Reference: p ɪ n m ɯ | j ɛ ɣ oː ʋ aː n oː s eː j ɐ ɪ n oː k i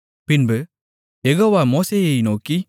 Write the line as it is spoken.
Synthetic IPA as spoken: p ɪ n b ɯ | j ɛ ɣ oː ʋ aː m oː s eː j ɐ ɪ n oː k i

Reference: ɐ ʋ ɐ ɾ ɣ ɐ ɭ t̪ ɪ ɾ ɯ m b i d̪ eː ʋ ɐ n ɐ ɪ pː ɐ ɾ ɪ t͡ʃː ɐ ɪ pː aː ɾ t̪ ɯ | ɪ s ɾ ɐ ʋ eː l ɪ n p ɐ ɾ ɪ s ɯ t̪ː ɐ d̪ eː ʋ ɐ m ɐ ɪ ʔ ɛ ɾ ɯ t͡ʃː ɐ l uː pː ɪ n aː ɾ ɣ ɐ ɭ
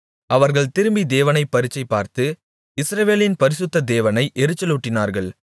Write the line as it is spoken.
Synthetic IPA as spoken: ɐ ʋ ɐ ɾ ɣ ɐ ɭ t̪ ɪ ɾ ɯ m b i d̪ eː ʋ ɐ n ɐ ɪ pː ɐ ɾ ɪ t͡ʃː ɐ ɪ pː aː ɾ t̪ ɯ | ɪ s ɾ ɐ ʋ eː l ɪ n p ɐ ɾ ɪ s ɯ t̪ː ɐ d̪ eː ʋ ɐ n ɐ ɪ ʔ ɛ ɾ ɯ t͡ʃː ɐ l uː ʈː ɪ n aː ɾ ɣ ɐ ɭ

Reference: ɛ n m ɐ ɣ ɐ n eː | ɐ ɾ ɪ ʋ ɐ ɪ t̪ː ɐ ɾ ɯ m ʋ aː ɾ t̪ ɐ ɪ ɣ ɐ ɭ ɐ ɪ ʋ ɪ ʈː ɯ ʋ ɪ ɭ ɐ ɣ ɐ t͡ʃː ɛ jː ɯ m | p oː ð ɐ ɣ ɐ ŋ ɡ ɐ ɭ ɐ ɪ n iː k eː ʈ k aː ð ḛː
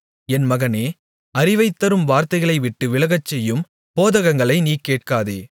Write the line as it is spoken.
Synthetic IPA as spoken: ɛ n m ɐ ɣ ɐ n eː | ɐ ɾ ɪ ʋ ɐ ɪ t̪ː ɐ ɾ ɯ m ʋ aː ɾ t̪ ɐ ɪ ɣ ɐ ɭ ɐ ɪ ʋ ɪ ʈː ɯ ʋ ɪ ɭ ɐ ɣ ɐ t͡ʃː ɛ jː ɯ m | p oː ð ɐ ɣ ɐ ŋ ɡ ɐ ɭ ɐ ɪ n iː k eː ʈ k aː ð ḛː

